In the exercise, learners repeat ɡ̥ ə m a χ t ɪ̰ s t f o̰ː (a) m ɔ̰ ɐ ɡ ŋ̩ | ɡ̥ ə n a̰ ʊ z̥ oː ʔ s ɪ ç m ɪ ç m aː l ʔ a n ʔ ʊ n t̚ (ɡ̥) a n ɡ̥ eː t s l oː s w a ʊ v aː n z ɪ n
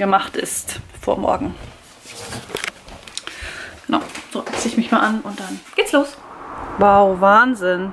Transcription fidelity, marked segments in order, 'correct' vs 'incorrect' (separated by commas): incorrect, incorrect